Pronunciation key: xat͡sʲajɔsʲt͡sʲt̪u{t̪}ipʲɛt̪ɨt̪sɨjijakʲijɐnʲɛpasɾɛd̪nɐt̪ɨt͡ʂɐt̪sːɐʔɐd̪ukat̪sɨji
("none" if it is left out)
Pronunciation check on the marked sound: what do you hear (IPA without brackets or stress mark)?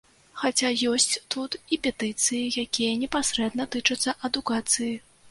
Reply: t̪